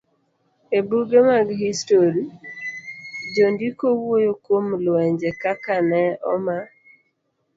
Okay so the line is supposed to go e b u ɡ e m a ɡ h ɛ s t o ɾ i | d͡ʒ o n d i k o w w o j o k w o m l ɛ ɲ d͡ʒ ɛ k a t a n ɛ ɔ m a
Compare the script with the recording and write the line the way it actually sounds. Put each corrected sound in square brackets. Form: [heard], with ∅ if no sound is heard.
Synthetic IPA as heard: e b u ɡ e m a ɡ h [i] s t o ɾ i | d͡ʒ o n d i k o w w o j o k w o m l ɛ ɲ d͡ʒ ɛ k a [k] a n ɛ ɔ m a